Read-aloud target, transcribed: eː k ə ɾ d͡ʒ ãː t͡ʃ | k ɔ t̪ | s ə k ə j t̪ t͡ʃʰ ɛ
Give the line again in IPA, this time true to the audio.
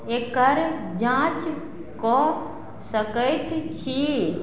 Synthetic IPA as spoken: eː k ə ɾ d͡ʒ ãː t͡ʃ | k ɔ | s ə k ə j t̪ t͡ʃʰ i